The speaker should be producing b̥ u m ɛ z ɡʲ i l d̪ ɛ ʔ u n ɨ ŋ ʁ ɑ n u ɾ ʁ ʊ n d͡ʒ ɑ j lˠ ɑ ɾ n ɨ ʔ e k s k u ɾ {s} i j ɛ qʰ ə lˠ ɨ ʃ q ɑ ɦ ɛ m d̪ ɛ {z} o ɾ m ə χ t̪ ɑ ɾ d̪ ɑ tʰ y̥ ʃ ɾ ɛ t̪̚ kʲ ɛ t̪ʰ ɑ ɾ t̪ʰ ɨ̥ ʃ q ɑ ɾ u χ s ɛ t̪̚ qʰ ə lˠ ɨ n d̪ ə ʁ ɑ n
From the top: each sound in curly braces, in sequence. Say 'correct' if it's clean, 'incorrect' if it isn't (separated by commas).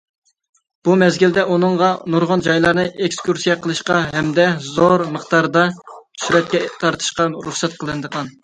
correct, correct